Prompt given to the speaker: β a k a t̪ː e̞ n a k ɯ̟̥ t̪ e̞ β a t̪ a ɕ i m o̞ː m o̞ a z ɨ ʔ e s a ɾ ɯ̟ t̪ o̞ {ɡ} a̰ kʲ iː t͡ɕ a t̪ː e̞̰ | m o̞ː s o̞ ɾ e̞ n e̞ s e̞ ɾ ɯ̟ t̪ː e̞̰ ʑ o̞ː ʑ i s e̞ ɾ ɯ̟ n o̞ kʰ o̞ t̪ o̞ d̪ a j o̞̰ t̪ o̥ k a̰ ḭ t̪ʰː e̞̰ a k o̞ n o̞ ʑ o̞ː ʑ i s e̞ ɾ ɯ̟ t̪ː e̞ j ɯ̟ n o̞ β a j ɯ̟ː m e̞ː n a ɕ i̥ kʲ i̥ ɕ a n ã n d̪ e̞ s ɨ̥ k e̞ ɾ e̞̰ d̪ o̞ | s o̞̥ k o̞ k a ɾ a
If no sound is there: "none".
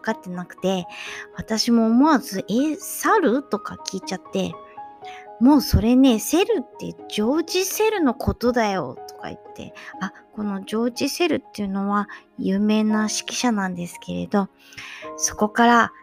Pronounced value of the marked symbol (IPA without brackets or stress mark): k